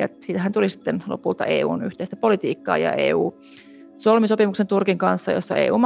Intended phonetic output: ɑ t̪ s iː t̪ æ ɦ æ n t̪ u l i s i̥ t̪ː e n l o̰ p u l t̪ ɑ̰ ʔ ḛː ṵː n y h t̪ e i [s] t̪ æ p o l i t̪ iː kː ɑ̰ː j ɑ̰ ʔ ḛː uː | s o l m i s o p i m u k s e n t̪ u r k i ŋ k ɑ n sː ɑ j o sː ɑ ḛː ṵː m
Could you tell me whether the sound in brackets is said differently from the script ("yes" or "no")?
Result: no